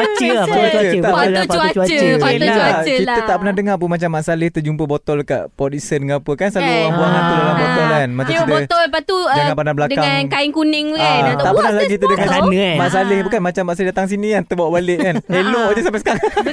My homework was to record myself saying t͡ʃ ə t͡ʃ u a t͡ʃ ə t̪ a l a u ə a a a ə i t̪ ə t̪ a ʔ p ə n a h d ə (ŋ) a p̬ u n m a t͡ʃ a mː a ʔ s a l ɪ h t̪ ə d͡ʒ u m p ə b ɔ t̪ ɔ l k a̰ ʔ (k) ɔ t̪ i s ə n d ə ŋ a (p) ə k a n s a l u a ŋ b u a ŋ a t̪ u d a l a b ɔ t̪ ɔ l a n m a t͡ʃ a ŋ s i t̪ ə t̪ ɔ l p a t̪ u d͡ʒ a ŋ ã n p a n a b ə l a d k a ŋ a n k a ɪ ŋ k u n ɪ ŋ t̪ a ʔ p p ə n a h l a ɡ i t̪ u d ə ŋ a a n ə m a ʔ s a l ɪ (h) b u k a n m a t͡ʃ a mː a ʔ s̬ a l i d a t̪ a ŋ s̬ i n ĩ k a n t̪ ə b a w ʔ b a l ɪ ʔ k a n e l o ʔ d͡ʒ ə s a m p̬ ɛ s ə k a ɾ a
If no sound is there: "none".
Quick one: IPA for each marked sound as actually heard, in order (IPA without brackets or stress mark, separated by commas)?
ŋ, p, p, h